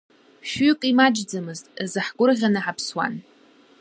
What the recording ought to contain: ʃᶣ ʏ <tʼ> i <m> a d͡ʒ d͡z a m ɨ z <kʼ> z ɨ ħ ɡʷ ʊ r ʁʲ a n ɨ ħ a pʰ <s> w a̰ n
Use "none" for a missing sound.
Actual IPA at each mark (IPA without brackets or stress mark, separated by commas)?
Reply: kʼ, m, tʼ, s